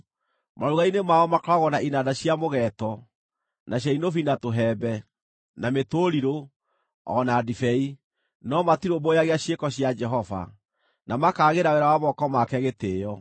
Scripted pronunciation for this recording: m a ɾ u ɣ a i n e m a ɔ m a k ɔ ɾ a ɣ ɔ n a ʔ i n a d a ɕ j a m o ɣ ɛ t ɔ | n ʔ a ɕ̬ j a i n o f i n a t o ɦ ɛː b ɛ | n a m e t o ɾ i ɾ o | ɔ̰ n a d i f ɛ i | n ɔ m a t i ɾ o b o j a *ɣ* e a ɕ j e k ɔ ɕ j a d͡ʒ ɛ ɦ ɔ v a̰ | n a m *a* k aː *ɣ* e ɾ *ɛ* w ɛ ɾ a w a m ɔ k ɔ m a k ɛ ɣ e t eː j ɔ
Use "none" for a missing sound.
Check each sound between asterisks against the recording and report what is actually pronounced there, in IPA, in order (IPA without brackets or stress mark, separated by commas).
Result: ɣ, a, ɣ, a